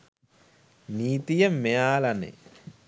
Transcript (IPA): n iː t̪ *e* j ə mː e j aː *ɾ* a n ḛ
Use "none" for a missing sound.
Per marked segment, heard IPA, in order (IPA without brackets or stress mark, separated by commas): i, l